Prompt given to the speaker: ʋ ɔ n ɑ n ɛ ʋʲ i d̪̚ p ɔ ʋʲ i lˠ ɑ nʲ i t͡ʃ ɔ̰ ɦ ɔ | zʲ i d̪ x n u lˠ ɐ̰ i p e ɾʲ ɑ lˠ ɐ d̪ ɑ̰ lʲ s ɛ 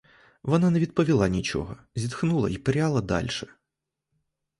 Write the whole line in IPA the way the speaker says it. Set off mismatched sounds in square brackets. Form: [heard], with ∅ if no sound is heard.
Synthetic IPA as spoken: ʋ ɔ n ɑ n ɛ ʋʲ i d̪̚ p ɔ ʋʲ i lˠ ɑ nʲ i t͡ʃ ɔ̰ ɦ ɔ | zʲ i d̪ x n u lˠ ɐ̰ i p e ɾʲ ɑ lˠ ɐ d̪ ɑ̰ lʲ [ʃ] ɛ